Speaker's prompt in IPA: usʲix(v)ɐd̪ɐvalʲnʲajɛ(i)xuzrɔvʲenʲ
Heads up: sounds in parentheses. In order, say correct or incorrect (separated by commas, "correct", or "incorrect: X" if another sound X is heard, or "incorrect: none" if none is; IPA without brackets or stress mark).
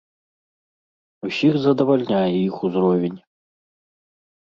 incorrect: z, correct